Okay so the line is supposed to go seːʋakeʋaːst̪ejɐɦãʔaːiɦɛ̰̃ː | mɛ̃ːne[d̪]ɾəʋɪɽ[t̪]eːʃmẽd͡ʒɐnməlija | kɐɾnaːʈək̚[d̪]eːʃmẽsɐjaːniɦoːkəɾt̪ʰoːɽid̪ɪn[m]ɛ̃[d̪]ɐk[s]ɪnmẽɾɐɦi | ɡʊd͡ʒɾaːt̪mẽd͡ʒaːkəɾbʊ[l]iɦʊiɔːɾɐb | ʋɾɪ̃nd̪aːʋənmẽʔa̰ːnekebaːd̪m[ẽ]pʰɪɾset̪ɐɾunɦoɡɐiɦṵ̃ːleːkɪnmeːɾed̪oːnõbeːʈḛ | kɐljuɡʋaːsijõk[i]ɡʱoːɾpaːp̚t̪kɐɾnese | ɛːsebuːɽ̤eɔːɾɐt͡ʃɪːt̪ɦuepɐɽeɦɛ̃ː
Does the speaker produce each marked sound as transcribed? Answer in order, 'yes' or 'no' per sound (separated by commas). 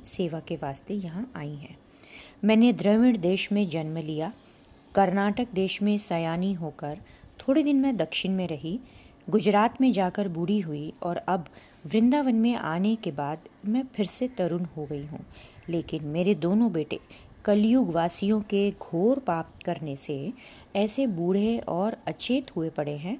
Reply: yes, no, yes, yes, yes, no, no, no, no